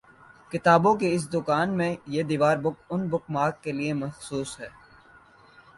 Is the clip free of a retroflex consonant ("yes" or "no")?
yes